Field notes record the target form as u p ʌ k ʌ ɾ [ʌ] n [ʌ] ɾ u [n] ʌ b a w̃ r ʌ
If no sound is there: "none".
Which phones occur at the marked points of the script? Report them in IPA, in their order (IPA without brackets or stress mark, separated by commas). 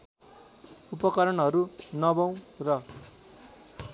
ʌ, ʌ, n